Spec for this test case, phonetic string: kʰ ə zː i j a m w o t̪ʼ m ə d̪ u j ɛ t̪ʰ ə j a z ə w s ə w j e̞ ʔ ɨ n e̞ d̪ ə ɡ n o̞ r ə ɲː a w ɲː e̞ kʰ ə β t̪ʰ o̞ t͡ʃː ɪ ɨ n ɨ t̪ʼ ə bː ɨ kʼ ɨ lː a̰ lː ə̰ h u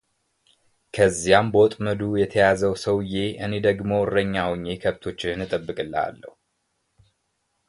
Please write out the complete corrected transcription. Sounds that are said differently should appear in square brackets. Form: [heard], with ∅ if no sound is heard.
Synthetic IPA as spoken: kʰ ə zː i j a m [b] o t̪ʼ m ə d̪ u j ɛ t̪ʰ ə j a z ə w s ə w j e̞ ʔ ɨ n e̞ d̪ ə ɡ [m] o̞ r ə ɲː a w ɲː e̞ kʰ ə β t̪ʰ o̞ t͡ʃː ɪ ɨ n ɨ t̪ʼ ə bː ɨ kʼ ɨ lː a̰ lː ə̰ h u